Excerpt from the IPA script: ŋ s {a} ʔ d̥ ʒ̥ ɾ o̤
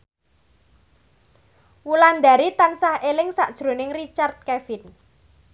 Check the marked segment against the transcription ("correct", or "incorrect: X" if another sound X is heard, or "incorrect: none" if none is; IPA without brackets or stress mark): correct